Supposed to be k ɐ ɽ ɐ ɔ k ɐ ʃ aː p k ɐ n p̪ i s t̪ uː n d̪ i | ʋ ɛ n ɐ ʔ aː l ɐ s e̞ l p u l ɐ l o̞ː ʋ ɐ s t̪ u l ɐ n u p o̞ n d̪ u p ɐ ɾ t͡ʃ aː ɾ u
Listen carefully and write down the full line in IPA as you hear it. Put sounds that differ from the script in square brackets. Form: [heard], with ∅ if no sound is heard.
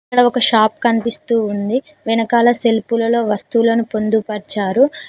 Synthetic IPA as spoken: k ɐ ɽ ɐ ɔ k ɐ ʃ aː p k ɐ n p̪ i s t̪ uː n d̪ i | ʋ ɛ n ɐ [k] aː l ɐ s e̞ l p u l ɐ l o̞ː ʋ ɐ s t̪ u l ɐ n u p o̞ n d̪ u p ɐ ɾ t͡ʃ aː ɾ u